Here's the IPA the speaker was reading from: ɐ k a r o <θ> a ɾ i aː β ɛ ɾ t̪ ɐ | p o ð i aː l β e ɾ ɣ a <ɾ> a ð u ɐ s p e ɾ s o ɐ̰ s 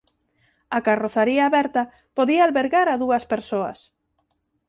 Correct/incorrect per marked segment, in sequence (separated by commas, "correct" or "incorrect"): correct, correct